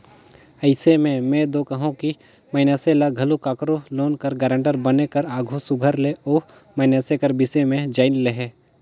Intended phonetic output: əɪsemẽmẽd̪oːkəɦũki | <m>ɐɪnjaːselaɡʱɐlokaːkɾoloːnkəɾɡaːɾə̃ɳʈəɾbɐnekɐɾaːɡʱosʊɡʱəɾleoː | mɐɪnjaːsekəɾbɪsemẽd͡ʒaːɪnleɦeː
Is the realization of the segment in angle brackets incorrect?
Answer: no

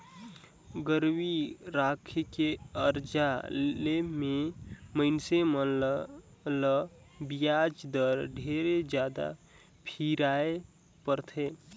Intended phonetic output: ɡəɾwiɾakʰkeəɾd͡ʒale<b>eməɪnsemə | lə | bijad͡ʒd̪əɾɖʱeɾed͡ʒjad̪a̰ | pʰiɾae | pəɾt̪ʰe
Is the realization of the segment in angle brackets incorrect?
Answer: yes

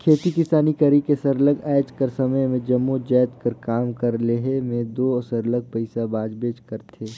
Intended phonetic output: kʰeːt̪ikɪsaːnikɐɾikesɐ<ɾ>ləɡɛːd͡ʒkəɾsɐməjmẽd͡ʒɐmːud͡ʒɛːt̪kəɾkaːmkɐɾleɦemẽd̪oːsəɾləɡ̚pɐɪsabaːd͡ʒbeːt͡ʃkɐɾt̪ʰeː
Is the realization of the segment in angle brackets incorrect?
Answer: no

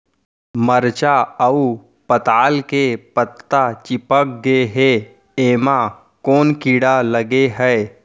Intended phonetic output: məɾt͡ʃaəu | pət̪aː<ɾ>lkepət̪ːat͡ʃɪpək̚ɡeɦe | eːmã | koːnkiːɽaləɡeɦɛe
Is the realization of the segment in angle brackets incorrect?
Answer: yes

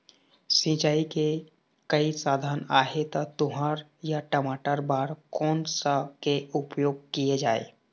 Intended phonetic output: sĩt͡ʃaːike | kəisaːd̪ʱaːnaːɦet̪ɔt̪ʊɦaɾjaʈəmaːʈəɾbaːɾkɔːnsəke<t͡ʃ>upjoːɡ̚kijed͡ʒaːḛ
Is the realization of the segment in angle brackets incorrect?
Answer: yes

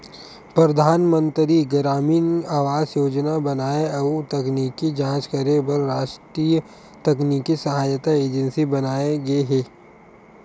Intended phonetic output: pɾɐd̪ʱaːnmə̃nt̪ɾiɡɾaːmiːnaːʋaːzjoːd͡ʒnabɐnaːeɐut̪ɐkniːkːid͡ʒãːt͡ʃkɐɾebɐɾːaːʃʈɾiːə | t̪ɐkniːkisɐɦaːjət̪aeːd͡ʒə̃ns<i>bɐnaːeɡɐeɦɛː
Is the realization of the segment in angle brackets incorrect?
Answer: no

